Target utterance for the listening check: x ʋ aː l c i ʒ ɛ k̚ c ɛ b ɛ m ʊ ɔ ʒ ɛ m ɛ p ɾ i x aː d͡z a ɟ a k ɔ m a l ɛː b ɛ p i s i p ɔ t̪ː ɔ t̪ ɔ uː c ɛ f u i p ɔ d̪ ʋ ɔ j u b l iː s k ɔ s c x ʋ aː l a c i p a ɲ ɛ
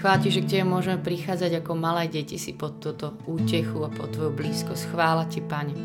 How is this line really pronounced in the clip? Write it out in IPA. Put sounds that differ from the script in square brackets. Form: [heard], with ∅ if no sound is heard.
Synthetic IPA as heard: x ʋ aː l c i ʒ ɛ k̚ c ɛ b ɛ m ʊ ɔ ʒ ɛ m ɛ p ɾ i x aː d͡z a ɟ a k ɔ m a l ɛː [ɟ] ɛ [c] i s i p ɔ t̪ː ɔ t̪ ɔ uː c ɛ [x] u [a] p ɔ [t̪] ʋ ɔ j u b l iː s k ɔ s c x ʋ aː l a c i p a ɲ ɛ